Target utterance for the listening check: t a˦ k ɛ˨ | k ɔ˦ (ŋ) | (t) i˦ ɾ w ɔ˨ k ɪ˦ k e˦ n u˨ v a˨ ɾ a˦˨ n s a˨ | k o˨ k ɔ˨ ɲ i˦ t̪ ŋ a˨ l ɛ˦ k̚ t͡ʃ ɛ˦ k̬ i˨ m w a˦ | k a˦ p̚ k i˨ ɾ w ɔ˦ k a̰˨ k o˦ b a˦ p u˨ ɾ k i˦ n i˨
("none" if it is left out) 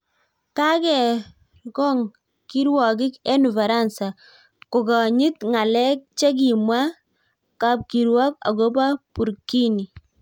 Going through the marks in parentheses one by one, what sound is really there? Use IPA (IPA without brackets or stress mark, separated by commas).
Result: ŋ, k